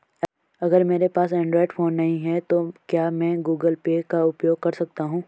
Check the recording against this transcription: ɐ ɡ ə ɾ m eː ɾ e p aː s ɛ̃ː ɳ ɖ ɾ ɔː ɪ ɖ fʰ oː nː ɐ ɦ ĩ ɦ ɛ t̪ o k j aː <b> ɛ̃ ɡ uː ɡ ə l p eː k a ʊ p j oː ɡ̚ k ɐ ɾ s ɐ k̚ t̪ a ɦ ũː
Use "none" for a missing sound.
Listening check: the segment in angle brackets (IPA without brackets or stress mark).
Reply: m